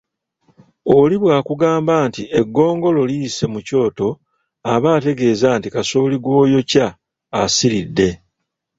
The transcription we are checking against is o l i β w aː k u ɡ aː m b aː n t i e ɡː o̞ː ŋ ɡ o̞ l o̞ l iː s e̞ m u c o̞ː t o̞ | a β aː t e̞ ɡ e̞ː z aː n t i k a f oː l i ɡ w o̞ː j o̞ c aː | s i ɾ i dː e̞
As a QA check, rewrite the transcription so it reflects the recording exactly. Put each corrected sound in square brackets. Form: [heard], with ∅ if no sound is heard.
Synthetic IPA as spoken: o l i β w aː k u ɡ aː m b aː n t i e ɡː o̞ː ŋ ɡ o̞ l o̞ l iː s e̞ m u c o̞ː t o̞ | a β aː t e̞ ɡ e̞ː z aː n t i k a [s] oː l i ɡ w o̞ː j o̞ c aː | s i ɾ i dː e̞